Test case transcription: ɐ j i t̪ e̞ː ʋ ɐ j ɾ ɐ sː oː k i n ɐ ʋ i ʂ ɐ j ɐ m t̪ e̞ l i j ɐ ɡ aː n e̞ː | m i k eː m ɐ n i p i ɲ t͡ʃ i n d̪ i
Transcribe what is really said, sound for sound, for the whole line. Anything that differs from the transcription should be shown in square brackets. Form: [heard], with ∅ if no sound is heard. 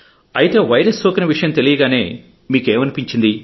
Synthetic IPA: ɐ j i t̪ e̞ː ʋ ɐ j ɾ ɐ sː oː k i n ɐ ʋ i ʂ ɐ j ɐ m t̪ e̞ l i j ɐ ɡ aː n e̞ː | m [iː] k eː m ɐ n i p i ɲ t͡ʃ i n d̪ i

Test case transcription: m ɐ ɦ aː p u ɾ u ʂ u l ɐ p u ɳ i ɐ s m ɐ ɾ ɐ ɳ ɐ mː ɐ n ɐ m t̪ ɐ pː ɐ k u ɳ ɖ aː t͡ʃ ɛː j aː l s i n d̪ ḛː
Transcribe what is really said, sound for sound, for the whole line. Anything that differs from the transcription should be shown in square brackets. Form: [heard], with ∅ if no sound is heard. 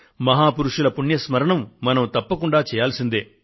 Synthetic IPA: m ɐ ɦ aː p u ɾ u ʂ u l ɐ p u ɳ [j] ɐ s m ɐ ɾ ɐ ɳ ɐ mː ɐ n ɐ m t̪ ɐ pː ɐ k u ɳ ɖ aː t͡ʃ ɛː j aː l s i n d̪ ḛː

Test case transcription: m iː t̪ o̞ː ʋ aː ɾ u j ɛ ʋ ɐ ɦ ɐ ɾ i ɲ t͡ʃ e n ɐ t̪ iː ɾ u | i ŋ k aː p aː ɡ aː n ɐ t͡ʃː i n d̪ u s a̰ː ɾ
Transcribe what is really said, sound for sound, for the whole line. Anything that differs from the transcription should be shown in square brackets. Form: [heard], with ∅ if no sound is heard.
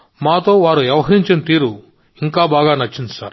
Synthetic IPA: m [aː] t̪ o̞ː ʋ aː ɾ u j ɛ ʋ ɐ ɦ ɐ ɾ i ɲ t͡ʃ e n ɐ t̪ iː ɾ u | i ŋ k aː [b] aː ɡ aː n ɐ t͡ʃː i n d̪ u s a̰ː ɾ

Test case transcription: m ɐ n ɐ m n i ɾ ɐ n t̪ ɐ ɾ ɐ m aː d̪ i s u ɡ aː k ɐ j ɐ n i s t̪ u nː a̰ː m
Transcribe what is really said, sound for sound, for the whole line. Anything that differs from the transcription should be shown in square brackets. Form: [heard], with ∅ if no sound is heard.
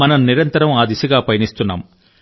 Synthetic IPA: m ɐ n ɐ m n i ɾ ɐ n t̪ ɐ ɾ ɐ m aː d̪ i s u ɡ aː [p] ɐ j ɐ n i s t̪ u nː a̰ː m

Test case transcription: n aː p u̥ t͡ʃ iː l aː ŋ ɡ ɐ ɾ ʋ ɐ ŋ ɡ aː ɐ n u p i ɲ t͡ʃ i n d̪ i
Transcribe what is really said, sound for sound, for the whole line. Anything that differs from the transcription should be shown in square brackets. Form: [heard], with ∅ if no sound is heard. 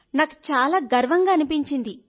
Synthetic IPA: n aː [k] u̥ t͡ʃ [aː] l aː [∅] ɡ ɐ ɾ ʋ ɐ ŋ ɡ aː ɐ n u p i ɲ t͡ʃ i n d̪ i

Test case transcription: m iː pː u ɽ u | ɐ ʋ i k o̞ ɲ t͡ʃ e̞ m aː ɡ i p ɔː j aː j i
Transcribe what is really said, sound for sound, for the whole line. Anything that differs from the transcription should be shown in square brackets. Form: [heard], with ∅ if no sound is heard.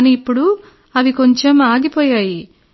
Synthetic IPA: [n] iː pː u ɽ u | ɐ ʋ i k o̞ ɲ t͡ʃ e̞ m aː ɡ i p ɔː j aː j i

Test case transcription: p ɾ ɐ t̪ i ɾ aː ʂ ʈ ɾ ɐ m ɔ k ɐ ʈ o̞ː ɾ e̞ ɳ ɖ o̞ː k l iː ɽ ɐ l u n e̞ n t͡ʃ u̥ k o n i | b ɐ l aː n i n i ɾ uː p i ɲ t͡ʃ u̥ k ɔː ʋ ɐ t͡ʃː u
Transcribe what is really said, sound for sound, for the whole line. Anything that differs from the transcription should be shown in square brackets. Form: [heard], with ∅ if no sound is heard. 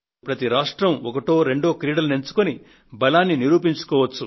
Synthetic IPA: p ɾ ɐ t̪ i ɾ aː ʂ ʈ ɾ ɐ m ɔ k ɐ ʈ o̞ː ɾ e̞ ɳ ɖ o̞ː k [ɾ] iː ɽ ɐ l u n e̞ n t͡ʃ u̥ k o n i | b ɐ l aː [nː] i n i ɾ uː p i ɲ t͡ʃ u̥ k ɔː ʋ ɐ t͡ʃː u

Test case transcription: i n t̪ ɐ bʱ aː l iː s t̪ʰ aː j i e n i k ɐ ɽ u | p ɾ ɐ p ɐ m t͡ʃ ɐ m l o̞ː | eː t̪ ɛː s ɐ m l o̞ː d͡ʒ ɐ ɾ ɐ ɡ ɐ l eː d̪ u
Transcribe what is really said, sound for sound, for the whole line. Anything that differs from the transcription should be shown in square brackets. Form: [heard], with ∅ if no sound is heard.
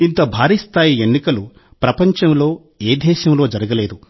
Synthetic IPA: i n t̪ ɐ bʱ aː [ɾ] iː s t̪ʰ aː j i e [nː] i k ɐ [l] u | p ɾ ɐ p ɐ [ɲ] t͡ʃ ɐ m l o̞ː | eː [d̪] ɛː [ʃ] ɐ m l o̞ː d͡ʒ ɐ ɾ ɐ ɡ ɐ l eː d̪ u

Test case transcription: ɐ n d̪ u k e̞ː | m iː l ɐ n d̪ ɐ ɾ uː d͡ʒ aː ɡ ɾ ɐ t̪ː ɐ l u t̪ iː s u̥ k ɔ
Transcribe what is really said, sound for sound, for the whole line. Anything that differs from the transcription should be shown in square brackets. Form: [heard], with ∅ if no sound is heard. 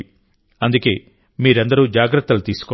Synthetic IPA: ɐ n d̪ u k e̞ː | m iː [ɾ] ɐ n d̪ ɐ ɾ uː d͡ʒ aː ɡ ɾ ɐ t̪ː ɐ l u t̪ iː s u̥ k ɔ

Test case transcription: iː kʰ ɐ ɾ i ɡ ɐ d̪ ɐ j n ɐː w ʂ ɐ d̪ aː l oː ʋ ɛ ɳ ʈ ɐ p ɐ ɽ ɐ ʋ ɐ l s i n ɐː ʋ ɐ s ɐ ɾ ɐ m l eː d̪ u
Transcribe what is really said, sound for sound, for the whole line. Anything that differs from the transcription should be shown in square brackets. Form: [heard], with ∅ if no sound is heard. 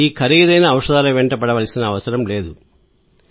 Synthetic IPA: iː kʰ ɐ ɾ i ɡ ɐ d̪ ɐ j n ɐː w ʂ ɐ d̪ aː l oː ʋ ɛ ɳ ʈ ɐ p ɐ ɽ ɐ ʋ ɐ l s i n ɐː ʋ ɐ s ɐ ɾ ɐ m l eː d̪ u

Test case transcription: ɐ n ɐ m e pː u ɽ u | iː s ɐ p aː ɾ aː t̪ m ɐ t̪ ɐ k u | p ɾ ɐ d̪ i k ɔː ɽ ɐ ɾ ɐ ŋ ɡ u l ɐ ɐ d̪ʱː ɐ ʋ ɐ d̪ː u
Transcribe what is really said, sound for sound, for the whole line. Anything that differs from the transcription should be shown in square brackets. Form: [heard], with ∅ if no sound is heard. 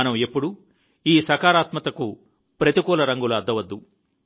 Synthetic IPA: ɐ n ɐ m e pː u ɽ u | iː s ɐ [k] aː ɾ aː t̪ m ɐ t̪ ɐ k u | p ɾ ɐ [t̪] i k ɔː [l] ɐ ɾ ɐ ŋ ɡ u l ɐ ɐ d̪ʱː ɐ ʋ ɐ d̪ː u

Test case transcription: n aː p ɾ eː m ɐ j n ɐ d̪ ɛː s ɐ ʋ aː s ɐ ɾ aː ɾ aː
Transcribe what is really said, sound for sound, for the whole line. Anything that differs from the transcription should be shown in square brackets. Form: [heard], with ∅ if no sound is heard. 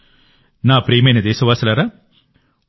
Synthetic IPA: n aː p ɾ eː m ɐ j n ɐ d̪ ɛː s ɐ ʋ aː s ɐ [l] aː ɾ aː

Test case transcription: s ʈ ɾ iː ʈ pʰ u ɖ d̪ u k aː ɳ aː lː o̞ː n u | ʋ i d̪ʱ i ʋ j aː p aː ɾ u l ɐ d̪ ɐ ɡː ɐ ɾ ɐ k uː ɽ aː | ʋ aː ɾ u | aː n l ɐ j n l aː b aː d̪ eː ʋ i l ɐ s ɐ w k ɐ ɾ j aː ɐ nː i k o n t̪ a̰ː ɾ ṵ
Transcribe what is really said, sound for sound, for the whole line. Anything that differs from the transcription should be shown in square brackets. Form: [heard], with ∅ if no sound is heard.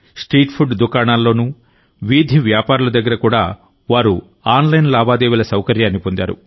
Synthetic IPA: s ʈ ɾ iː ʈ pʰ u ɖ d̪ u k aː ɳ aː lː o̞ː n u | ʋ i d̪ʱ i ʋ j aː p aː ɾ u l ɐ d̪ ɐ ɡː ɐ ɾ ɐ k uː ɽ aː | ʋ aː ɾ u | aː n l ɐ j n l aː b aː d̪ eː ʋ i l ɐ s ɐ w k ɐ ɾ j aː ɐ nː i [p] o n [d̪] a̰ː ɾ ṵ

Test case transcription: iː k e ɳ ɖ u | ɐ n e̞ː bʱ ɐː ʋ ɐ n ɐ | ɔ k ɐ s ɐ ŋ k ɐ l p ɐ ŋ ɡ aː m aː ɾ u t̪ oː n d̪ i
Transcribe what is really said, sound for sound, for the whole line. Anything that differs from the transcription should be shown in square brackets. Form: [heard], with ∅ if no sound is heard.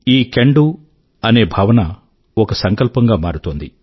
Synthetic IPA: iː k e ɳ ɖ u | ɐ n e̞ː bʱ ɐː ʋ ɐ n ɐ | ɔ k ɐ s ɐ ŋ k ɐ l p ɐ ŋ ɡ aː m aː ɾ u t̪ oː n d̪ i

